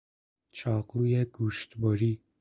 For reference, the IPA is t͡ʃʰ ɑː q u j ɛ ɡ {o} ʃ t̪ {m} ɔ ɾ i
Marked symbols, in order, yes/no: no, no

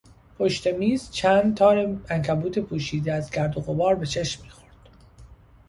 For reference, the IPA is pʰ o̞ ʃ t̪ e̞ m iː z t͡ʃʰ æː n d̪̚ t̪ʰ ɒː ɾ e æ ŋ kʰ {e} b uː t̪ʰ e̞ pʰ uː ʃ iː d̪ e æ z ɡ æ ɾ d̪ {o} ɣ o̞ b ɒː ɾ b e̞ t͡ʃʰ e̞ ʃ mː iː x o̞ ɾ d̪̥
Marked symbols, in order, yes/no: no, yes

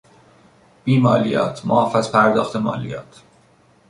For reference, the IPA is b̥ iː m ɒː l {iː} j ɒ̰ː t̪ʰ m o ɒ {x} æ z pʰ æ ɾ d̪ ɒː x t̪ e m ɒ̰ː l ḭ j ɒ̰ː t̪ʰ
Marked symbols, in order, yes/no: no, no

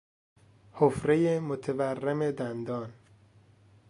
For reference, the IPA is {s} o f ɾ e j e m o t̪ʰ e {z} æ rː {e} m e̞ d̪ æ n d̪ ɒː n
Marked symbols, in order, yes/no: no, no, yes

